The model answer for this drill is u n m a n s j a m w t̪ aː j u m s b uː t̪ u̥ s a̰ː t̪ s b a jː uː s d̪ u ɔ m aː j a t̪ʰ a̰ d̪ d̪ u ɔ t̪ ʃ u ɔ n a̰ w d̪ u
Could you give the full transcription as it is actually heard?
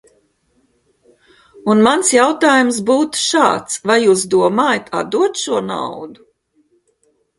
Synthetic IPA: u n m a n s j a w t̪ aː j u m s b uː t̪ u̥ ʃ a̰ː t̪ s v a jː uː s d̪ u ɔ m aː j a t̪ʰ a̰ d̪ d̪ u ɔ t̪ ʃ u ɔ n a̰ w d̪ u